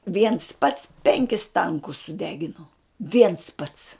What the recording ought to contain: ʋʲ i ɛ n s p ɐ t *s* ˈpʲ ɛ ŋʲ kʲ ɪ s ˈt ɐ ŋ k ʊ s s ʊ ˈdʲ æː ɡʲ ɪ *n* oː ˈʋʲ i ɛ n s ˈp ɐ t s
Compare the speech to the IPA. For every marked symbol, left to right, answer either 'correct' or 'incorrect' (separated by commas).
correct, correct